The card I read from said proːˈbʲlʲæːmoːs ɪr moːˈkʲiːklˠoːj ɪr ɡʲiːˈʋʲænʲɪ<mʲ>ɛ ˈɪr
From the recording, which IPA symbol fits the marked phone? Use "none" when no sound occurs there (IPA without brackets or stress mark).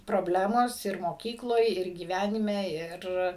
mʲ